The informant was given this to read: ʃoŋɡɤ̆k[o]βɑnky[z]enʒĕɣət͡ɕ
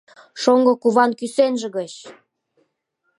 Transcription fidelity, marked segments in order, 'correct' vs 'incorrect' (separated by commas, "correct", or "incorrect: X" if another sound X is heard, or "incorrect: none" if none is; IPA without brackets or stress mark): incorrect: u, incorrect: s